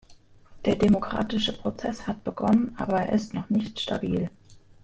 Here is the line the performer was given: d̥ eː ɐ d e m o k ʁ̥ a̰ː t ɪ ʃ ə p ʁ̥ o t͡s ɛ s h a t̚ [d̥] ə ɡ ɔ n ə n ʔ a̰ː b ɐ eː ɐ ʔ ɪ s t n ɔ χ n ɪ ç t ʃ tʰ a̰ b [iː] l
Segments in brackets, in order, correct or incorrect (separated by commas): incorrect, correct